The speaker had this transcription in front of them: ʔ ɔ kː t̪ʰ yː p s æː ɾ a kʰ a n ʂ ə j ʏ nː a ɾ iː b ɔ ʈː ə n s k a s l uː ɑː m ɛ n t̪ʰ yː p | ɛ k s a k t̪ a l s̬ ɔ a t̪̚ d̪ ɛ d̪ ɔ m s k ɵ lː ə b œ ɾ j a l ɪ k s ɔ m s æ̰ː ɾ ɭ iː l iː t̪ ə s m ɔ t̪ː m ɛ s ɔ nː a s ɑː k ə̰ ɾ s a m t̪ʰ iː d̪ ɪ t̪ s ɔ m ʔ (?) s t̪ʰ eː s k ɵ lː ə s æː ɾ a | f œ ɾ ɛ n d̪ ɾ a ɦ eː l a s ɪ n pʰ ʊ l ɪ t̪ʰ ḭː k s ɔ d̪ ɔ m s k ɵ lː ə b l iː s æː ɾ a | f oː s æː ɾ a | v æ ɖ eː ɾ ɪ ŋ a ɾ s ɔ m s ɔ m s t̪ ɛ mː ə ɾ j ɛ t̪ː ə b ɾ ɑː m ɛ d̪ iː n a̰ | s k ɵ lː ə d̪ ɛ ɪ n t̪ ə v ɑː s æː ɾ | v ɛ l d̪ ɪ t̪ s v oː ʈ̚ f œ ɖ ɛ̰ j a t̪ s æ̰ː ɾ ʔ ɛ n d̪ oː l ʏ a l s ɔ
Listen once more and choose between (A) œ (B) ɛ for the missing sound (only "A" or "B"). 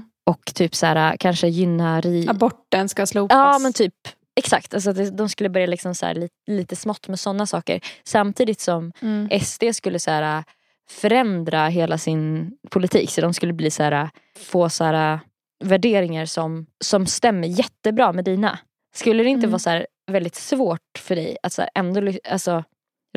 B